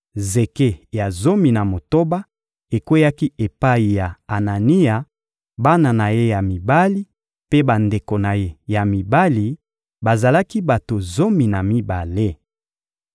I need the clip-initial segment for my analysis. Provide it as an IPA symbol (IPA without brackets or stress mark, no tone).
z